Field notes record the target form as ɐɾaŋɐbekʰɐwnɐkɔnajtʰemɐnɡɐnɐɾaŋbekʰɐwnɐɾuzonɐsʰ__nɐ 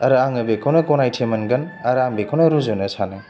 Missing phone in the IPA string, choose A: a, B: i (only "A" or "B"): A